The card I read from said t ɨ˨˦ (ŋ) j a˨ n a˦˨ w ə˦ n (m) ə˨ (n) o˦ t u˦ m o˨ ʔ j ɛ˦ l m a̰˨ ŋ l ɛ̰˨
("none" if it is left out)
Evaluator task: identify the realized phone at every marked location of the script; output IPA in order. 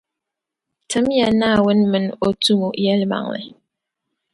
m, m, n

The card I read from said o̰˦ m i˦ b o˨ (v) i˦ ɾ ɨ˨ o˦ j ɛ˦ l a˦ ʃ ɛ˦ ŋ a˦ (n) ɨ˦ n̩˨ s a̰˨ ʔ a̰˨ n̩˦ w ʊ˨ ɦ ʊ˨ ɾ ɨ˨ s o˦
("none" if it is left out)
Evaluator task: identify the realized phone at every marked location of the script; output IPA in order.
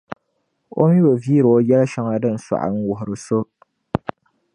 v, d

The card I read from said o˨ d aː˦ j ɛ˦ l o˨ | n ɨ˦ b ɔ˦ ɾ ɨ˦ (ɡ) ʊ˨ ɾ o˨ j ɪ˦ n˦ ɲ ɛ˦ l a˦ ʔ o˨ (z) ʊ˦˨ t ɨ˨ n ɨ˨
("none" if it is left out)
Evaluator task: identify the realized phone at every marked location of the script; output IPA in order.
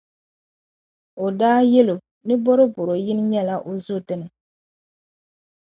b, z

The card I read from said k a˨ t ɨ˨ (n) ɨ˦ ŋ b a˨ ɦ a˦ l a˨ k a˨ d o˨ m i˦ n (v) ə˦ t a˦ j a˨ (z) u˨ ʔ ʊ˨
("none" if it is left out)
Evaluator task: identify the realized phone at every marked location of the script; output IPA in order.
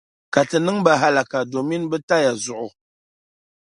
n, b, z

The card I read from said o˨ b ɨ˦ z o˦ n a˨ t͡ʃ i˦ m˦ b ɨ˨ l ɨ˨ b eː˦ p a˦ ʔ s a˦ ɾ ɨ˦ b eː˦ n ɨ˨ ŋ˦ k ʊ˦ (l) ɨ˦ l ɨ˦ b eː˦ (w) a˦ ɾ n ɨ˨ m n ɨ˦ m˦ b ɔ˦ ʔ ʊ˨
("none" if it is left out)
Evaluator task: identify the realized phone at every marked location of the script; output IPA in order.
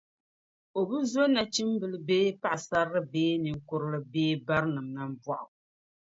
ɾ, b

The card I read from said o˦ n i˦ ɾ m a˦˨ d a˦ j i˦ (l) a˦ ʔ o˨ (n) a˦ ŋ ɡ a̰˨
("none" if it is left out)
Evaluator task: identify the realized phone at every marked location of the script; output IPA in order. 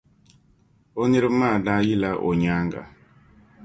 l, ɲ

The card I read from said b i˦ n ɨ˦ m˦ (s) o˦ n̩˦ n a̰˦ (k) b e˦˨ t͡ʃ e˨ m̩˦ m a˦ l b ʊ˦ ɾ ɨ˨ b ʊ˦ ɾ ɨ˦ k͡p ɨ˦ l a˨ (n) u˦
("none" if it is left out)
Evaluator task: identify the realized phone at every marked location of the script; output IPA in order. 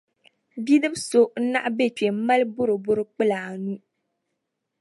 s, ʔ, n

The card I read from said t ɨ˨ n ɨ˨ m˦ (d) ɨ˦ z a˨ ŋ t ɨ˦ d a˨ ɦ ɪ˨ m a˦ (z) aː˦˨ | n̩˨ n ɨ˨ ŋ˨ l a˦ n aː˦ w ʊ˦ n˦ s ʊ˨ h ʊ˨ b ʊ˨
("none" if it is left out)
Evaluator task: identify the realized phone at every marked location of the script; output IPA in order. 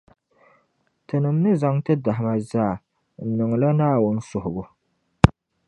n, z

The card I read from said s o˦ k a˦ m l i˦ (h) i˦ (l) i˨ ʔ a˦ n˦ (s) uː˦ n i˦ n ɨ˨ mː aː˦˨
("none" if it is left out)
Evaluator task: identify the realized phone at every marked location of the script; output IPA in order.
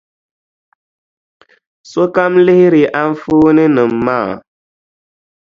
h, ɾ, f

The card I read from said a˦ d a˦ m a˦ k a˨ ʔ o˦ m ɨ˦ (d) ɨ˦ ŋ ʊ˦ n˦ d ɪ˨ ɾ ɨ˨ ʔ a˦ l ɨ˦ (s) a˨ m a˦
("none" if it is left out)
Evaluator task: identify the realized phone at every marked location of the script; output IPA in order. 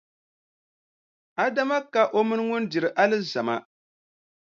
n, z

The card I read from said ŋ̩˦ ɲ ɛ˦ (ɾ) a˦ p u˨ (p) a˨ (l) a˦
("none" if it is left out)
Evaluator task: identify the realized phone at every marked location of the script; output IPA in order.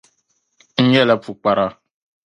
l, k͡p, ɾ

